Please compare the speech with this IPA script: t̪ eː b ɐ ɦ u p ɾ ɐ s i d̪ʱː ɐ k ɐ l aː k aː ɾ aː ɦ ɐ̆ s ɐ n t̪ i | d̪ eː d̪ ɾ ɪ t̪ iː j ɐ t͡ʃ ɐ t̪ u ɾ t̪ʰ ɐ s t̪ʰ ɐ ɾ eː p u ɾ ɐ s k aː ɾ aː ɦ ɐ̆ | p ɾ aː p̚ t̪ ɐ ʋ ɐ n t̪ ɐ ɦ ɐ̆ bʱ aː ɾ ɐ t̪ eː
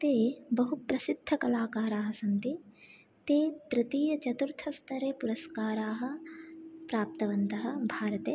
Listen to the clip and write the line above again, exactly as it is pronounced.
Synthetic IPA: t̪ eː b ɐ ɦ u p ɾ ɐ s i d̪ʱː ɐ k ɐ l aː k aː ɾ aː ɦ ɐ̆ s ɐ n t̪ i | t̪ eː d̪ ɾ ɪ t̪ iː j ɐ t͡ʃ ɐ t̪ u ɾ t̪ʰ ɐ s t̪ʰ ɐ ɾ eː p u ɾ ɐ s k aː ɾ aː ɦ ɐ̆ | p ɾ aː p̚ t̪ ɐ ʋ ɐ n t̪ ɐ ɦ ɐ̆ bʱ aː ɾ ɐ t̪ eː

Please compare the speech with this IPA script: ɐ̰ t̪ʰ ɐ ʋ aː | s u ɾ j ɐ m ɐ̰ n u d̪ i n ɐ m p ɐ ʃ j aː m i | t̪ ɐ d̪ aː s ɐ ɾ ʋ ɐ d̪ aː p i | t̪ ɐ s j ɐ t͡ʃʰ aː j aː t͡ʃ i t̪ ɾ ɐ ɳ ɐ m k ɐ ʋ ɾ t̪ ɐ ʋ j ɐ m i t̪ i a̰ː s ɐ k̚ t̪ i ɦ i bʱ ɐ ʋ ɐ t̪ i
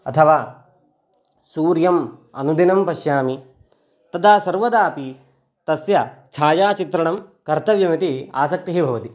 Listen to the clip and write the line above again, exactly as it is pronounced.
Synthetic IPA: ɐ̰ t̪ʰ ɐ ʋ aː | s uː ɾ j ɐ m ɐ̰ n u d̪ i n ɐ m p ɐ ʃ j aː m i | t̪ ɐ d̪ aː s ɐ ɾ ʋ ɐ d̪ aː p i | t̪ ɐ s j ɐ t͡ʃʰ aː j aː t͡ʃ i t̪ ɾ ɐ ɳ ɐ m k ɐ ɾ t̪ ɐ ʋ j ɐ m i t̪ i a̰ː s ɐ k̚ t̪ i ɦ i bʱ ɐ ʋ ɐ t̪ i

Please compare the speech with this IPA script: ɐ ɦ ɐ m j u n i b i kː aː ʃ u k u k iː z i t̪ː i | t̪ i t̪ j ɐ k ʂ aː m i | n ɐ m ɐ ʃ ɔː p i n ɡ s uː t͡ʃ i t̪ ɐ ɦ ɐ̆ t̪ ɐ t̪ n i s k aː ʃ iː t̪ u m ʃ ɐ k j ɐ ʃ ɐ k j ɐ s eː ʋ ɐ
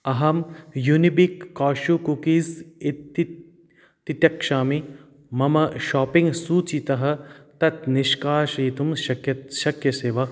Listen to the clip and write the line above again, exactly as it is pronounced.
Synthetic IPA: ɐ ɦ ɐ m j u n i b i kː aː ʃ u k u k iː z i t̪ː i | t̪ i t̪ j ɐ k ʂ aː m i | m ɐ m ɐ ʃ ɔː p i ŋ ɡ s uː t͡ʃ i t̪ ɐ ɦ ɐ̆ t̪ ɐ t̪ n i ʃ k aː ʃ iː t̪ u m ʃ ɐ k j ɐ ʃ ɐ k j ɐ s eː ʋ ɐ

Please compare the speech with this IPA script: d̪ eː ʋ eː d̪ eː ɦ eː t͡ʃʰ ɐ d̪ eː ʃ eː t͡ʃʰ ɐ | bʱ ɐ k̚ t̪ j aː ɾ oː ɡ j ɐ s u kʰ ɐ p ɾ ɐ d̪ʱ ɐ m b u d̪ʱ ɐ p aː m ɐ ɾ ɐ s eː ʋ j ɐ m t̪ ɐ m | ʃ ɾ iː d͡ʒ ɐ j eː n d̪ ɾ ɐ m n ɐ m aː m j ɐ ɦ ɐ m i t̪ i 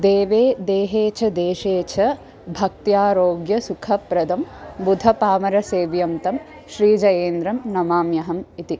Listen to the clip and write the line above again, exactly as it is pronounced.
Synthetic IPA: d̪ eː ʋ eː d̪ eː ɦ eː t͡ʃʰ ɐ d̪ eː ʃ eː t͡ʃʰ ɐ | bʱ ɐ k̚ t̪ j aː ɾ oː ɡ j ɐ s u kʰ ɐ p ɾ ɐ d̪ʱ ɐ m b u d̪ʱ ɐ p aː m ɐ ɾ ɐ s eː ʋ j ɐ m t̪ ɐ m | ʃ ɾ iː d͡ʒ ɐ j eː n d̪ ɾ ɐ m n ɐ m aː m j ɐ ɦ ɐ m i t̪ i

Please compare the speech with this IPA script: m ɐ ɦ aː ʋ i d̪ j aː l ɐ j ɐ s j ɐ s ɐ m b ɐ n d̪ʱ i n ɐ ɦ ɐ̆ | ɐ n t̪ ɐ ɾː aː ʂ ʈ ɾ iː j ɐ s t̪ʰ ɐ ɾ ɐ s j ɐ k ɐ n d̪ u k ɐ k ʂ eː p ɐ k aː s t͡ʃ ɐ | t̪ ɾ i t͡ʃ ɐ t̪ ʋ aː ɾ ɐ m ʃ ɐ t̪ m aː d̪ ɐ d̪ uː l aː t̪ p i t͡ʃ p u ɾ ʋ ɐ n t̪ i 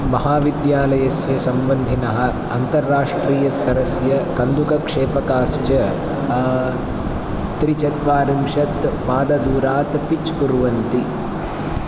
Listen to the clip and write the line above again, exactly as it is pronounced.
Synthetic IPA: m ɐ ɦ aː ʋ i d̪ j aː l ɐ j ɐ s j ɐ s ɐ m b ɐ n d̪ʱ i n ɐ ɦ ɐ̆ | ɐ n t̪ ɐ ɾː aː ʂ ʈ ɾ iː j ɐ s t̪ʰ ɐ ɾ ɐ s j ɐ k ɐ n d̪ u k ɐ k ʂ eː p ɐ k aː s t͡ʃ ɐ | t̪ ɾ i t͡ʃ ɐ t̪ ʋ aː ɾ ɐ m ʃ ɐ t̪ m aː d̪ ɐ d̪ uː ɾ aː t̪ p i t͡ʃ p u ɾ ʋ ɐ n t̪ i

